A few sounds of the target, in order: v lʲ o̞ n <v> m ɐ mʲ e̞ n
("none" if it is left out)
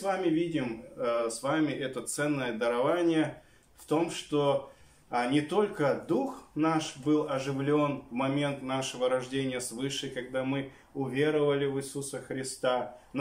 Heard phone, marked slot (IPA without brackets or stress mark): v